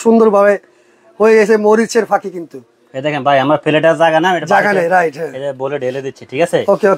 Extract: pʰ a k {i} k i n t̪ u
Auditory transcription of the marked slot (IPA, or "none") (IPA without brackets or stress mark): i